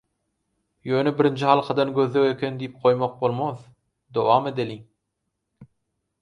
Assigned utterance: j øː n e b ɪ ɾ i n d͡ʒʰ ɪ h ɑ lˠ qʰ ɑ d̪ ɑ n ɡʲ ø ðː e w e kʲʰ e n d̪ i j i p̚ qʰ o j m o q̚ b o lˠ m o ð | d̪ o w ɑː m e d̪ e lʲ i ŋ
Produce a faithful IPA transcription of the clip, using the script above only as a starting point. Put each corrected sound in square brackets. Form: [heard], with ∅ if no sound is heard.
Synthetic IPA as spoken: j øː n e b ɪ ɾ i n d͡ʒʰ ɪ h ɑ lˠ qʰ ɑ d̪ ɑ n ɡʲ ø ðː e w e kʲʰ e n d̪ i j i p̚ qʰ o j m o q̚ b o lˠ m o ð | d̪ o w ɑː m e d̪ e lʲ i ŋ